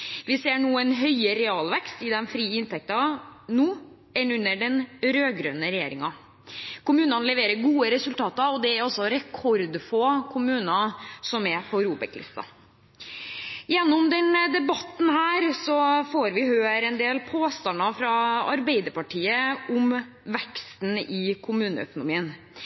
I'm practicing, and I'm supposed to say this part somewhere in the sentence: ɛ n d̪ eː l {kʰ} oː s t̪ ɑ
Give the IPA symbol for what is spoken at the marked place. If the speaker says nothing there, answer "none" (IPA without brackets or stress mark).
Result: pʰ